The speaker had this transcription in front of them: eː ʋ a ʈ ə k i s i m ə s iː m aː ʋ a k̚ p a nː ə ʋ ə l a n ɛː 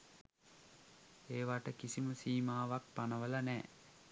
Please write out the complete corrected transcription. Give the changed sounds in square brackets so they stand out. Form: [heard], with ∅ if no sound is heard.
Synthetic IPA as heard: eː ʋ a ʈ ə k i s i m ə s iː m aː ʋ a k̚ p a [n] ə ʋ ə l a n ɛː